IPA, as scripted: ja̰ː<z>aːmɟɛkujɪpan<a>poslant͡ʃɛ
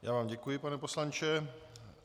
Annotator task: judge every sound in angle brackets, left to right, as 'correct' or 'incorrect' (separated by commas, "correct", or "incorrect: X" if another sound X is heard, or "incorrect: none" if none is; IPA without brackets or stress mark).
incorrect: v, incorrect: ɛ